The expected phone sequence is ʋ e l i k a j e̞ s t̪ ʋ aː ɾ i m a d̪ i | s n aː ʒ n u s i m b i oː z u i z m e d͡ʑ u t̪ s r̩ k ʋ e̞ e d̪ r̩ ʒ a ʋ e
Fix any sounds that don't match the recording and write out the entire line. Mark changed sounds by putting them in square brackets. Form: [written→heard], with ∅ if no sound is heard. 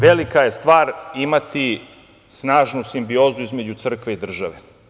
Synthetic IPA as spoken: ʋ e l i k a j e̞ s t̪ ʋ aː ɾ i m a [d̪→t̪] i | s n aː ʒ n u s i m b i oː z u i z m e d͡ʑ u t̪ s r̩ k ʋ e̞ [e→i] d̪ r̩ ʒ a ʋ e